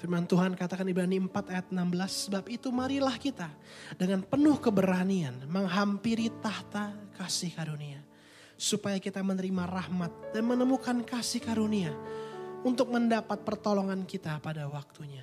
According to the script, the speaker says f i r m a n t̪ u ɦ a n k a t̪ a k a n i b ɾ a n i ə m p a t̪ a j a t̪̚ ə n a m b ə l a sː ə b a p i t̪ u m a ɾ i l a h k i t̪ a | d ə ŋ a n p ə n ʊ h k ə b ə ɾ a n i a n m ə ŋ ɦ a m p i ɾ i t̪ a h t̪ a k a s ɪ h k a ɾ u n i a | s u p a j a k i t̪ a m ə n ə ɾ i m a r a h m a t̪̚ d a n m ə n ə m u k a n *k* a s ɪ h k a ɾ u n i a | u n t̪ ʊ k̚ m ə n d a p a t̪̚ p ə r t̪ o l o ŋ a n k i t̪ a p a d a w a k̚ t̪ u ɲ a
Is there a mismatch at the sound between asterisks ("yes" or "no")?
no